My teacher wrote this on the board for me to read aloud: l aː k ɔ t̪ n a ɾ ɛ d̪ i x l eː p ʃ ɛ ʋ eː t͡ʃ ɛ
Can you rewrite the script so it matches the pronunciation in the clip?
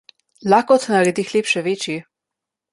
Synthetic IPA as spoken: l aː k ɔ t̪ n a ɾ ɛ d̪ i x l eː p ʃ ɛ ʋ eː t͡ʃ i